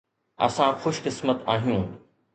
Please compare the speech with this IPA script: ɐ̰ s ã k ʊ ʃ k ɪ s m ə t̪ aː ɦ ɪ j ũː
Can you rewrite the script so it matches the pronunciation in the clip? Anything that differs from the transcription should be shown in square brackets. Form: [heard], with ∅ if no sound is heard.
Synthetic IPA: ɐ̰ s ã [x] ʊ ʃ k ɪ s m ə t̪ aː ɦ [i] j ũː